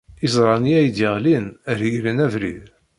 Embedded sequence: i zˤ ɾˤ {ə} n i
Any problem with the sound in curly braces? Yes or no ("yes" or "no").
yes